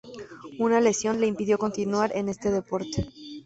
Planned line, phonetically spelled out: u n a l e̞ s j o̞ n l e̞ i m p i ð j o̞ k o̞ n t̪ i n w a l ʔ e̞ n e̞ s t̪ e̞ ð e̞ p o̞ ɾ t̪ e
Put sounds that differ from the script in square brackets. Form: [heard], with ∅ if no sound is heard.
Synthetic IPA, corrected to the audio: u n a l e̞ s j o̞ n l e̞ i m p i ð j o̞ k o̞ n t̪ i n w a [ɾ] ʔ e̞ n e̞ s t̪ e̞ ð e̞ p o̞ ɾ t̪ e